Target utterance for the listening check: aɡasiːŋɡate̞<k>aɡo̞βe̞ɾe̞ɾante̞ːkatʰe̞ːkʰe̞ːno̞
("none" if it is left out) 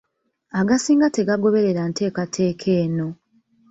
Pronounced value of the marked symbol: ɡ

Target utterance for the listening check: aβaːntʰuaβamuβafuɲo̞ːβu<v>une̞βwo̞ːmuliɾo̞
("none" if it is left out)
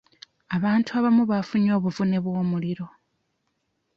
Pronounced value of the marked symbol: v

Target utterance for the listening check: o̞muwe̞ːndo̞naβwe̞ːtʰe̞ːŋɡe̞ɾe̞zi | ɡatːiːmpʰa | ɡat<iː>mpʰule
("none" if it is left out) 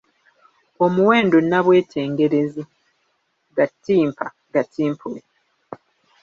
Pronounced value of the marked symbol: iː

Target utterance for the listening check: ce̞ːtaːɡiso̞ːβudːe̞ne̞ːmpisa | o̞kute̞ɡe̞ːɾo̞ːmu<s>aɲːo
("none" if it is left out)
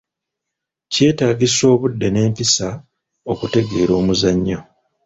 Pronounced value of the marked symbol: z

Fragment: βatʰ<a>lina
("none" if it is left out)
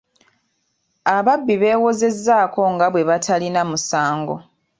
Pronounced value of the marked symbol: a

